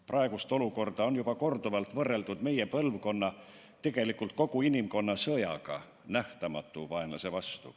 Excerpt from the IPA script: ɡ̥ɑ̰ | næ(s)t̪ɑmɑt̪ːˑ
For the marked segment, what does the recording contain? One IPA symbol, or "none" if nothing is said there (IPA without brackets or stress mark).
h